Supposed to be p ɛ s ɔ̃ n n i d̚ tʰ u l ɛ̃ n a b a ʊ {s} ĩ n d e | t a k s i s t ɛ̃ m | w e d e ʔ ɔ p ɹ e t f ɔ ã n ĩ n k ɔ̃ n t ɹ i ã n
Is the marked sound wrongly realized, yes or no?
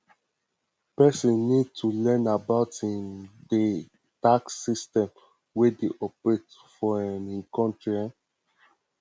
yes